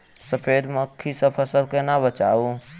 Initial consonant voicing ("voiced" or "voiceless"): voiceless